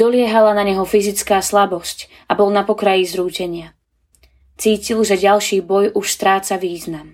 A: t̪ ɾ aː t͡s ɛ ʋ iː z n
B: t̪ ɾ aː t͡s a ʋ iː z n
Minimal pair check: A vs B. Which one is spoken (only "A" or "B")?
B